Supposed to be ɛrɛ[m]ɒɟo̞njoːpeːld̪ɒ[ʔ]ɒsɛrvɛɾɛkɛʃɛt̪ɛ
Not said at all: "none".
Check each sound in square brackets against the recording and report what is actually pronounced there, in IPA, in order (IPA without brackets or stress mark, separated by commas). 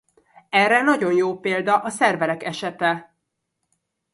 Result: n, ʔ